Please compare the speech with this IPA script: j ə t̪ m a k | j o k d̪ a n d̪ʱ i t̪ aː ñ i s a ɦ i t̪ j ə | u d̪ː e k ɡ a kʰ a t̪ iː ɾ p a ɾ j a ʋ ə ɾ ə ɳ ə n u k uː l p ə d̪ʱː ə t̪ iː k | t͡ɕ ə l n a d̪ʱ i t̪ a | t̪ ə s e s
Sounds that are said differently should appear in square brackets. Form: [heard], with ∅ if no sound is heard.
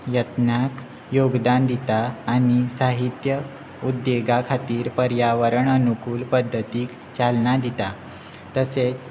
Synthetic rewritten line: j ə t̪ [n] a k | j o [ɡ] d̪ a n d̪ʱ i t̪ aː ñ i s a ɦ i t̪ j ə | u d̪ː e [∅] ɡ a kʰ a t̪ iː ɾ p [ə] ɾ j a ʋ ə ɾ ə ɳ ə n u k uː l p ə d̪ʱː ə t̪ iː k | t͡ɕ [a] l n a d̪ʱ i t̪ a | t̪ ə s e [t͡s]